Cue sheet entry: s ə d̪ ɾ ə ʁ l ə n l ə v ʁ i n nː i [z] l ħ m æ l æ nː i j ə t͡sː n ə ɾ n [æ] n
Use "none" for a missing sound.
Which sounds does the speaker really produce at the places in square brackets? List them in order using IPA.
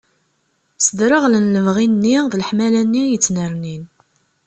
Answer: ð, i

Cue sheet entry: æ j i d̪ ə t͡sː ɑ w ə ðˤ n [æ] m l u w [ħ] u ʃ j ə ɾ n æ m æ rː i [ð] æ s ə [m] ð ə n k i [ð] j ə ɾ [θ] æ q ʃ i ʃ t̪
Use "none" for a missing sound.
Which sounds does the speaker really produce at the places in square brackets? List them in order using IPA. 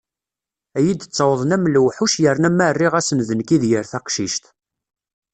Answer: æ, ħ, ʁ, n, ð, θ

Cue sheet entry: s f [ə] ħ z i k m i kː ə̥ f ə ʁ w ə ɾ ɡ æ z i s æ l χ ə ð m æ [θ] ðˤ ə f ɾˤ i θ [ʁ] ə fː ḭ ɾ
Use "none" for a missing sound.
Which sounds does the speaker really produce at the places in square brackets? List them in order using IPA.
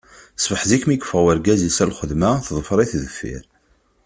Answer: ə, θ, ð

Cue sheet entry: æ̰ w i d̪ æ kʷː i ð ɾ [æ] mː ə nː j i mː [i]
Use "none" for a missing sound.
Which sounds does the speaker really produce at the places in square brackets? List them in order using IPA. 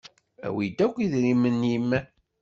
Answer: i, æ

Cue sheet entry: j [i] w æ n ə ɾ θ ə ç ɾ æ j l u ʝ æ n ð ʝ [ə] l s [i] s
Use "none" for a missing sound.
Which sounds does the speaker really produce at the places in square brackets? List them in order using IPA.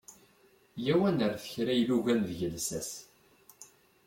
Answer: æ, ə, æ

